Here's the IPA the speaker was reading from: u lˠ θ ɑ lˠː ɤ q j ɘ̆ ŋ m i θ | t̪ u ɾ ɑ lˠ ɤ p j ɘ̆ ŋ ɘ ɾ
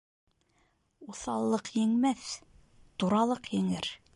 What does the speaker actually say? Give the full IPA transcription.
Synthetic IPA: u θ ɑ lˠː ɤ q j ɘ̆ ŋ m æ θ | t̪ u ɾ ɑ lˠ ɤ q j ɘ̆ ŋ ɘ ɾ